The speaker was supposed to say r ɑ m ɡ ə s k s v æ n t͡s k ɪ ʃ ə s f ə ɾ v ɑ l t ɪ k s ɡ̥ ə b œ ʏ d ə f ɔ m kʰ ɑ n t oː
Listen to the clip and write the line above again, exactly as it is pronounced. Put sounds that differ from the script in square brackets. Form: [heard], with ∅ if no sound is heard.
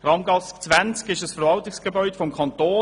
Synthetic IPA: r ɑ m ɡ [ɑ] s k [t͡s] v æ n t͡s k ɪ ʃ ə s f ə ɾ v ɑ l t ɪ k s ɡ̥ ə b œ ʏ d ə f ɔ m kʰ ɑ n t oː